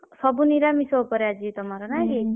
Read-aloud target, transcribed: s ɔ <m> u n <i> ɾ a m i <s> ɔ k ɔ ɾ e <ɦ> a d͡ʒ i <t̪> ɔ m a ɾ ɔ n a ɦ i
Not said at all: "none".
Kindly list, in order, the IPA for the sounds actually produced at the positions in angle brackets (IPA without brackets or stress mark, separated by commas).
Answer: b, i, s, none, t̪